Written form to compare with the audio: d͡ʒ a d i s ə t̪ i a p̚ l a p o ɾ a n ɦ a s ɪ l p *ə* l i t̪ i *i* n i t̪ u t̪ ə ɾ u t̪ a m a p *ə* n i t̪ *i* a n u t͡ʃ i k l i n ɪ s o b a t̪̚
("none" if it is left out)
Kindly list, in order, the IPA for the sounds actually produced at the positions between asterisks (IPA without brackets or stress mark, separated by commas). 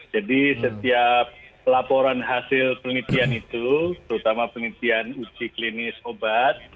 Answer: ə, a, ə, i